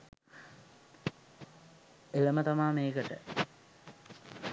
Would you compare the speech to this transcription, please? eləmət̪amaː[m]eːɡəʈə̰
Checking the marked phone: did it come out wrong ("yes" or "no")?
no